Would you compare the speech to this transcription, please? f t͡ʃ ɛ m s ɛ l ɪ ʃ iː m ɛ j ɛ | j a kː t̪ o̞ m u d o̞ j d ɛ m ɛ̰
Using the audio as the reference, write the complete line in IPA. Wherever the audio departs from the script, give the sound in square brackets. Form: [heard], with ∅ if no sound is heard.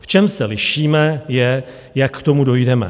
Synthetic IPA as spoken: f t͡ʃ ɛ m s ɛ l ɪ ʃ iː m ɛ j ɛ | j a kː t̪ o̞ m u d o̞ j d ɛ m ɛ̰